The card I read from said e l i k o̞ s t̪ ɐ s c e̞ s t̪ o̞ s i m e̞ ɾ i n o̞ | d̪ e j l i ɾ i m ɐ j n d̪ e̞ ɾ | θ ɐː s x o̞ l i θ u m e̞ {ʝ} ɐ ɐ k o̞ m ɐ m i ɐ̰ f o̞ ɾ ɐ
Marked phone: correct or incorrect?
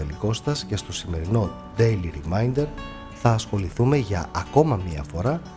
correct